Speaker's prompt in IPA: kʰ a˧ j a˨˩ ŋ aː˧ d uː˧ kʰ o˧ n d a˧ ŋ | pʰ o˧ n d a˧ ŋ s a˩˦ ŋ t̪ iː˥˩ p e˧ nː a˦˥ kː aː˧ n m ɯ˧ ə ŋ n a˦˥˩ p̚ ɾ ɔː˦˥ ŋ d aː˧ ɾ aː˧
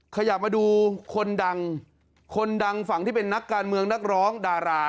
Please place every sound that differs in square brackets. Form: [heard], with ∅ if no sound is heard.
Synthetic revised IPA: kʰ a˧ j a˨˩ [m] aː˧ d uː˧ kʰ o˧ n d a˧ ŋ | [kʰ] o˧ n d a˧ ŋ [f] a˩˦ ŋ t̪ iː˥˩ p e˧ nː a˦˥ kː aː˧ n m ɯ˧ ə ŋ n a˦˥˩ [k̚] ɾ ɔː˦˥ ŋ d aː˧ ɾ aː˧